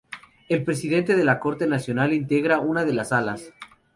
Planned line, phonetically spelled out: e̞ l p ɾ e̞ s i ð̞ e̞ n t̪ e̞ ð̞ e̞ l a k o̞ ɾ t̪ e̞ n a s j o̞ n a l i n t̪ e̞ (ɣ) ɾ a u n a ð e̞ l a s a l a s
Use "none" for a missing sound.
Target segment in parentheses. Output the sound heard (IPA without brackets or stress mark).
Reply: ɣ